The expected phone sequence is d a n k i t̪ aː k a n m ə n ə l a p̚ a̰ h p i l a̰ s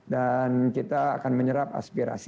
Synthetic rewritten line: d a n k i t̪ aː k a n m ə ɲ ə ɾ a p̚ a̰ s p i ɾ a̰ s